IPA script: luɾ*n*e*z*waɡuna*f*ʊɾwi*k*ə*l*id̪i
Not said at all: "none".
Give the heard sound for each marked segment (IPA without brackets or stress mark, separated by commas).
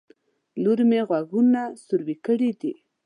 m, ɣ, s, k, ɽ